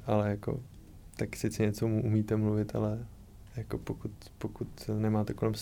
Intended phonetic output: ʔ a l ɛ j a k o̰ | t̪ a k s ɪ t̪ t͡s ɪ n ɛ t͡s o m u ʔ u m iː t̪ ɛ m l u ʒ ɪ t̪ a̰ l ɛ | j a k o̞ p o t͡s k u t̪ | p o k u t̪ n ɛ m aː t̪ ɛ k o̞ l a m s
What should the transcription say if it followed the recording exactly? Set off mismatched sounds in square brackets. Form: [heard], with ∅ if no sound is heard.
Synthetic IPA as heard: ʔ a l ɛ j a k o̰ | t̪ a k s ɪ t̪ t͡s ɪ [ɲ] ɛ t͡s o m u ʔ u m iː t̪ ɛ m l u [v] ɪ t̪ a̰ l ɛ | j a k o̞ p o [∅] k u t̪ | p o k u t̪ n ɛ m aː t̪ ɛ k o̞ l [ɛ] m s